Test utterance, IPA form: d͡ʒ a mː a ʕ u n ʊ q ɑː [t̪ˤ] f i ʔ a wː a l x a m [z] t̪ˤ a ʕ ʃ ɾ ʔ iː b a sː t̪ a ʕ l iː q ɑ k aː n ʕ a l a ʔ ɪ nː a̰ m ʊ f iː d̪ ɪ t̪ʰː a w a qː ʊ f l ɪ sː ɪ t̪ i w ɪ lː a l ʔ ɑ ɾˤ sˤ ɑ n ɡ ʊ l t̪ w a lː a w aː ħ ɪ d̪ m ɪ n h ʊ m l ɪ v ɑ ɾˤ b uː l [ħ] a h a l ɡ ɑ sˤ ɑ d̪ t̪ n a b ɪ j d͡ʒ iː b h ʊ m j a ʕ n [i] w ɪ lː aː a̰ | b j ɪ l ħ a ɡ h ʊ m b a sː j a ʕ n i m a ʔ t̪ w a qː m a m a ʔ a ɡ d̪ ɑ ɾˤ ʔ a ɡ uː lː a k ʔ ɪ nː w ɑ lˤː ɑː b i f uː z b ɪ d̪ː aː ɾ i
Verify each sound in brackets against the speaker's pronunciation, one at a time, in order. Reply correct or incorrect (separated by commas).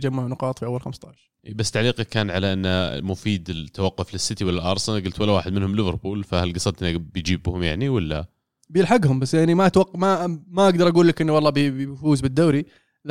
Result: correct, incorrect, incorrect, correct